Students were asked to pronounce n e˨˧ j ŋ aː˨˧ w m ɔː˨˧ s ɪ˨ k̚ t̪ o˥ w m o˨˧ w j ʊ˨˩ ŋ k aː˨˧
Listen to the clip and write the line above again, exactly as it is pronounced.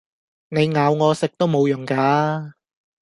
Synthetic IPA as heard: n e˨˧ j ŋ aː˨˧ w ŋ ɔː˨˧ s ɪ˨ k̚ t̪ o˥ w m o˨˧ w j ʊ˨˩ ŋ k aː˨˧